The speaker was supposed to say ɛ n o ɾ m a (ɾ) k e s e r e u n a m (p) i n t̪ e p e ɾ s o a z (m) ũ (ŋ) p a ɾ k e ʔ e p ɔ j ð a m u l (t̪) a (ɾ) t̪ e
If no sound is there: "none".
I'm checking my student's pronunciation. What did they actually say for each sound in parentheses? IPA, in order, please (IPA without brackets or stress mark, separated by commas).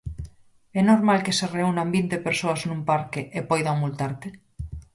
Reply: l, b, n, m, t̪, ɾ